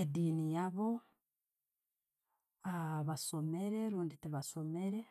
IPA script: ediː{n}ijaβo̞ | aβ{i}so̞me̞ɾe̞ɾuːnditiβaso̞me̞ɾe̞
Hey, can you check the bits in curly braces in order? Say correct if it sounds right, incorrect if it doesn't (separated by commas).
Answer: correct, incorrect